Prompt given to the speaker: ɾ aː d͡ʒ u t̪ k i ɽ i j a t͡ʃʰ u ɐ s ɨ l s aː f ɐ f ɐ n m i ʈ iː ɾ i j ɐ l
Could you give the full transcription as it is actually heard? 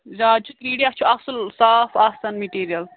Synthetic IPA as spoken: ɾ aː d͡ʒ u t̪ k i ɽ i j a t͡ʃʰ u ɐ s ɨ l s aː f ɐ s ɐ n m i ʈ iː ɾ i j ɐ l